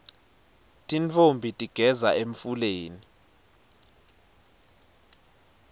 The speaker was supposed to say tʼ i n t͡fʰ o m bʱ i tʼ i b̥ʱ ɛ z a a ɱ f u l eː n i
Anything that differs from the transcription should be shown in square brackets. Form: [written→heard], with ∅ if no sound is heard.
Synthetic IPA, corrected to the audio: tʼ i n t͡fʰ o m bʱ i tʼ i [b̥ʱ→ɡ̥ʱ] ɛ z a [a→e] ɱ f u l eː n i